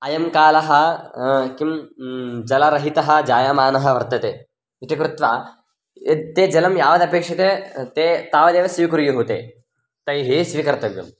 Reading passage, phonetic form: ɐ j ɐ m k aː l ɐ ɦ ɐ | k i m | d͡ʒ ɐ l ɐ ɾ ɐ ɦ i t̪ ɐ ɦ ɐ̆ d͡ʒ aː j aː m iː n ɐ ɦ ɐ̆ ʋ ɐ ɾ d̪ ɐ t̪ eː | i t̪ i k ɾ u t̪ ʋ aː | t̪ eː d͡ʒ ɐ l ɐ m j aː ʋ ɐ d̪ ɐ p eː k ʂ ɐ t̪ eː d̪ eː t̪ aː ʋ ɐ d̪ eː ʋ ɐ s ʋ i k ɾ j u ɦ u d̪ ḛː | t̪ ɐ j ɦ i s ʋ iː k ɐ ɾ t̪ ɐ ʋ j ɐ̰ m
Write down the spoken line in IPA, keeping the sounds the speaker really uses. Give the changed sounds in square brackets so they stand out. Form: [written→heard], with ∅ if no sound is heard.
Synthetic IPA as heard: ɐ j ɐ m k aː l ɐ ɦ ɐ | k i m | d͡ʒ ɐ l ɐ ɾ ɐ ɦ i t̪ ɐ ɦ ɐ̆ d͡ʒ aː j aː m [iː→aː] n ɐ ɦ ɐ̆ ʋ ɐ ɾ [d̪→t̪] ɐ t̪ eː | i t̪ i k ɾ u t̪ ʋ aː | t̪ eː d͡ʒ ɐ l ɐ m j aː ʋ ɐ d̪ ɐ p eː k ʂ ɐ t̪ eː [d̪→t̪] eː t̪ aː ʋ ɐ d̪ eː ʋ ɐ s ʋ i k ɾ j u ɦ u [d̪→t̪] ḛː | t̪ ɐ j ɦ i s ʋ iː k ɐ ɾ t̪ ɐ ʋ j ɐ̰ m